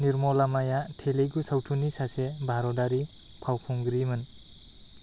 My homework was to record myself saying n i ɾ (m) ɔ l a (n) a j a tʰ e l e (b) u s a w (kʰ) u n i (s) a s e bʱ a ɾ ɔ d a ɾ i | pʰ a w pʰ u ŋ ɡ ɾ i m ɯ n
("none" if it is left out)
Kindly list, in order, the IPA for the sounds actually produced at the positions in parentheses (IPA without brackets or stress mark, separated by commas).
m, m, ɡ, tʰ, s